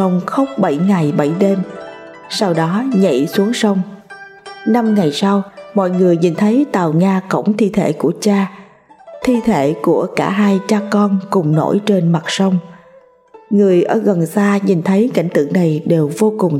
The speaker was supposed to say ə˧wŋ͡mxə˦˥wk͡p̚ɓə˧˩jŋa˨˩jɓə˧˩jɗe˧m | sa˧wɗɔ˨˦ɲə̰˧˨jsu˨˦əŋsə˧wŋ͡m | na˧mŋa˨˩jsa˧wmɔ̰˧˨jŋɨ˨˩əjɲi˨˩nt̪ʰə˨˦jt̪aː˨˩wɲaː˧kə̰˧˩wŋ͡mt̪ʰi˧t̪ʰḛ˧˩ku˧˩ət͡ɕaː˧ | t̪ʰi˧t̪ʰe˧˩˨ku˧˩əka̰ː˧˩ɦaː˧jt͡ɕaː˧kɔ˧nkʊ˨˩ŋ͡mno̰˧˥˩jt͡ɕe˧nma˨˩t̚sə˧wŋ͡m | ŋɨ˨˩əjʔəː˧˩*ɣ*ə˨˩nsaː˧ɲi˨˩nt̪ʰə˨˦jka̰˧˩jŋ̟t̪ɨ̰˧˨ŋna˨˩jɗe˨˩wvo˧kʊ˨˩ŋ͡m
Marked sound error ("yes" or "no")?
no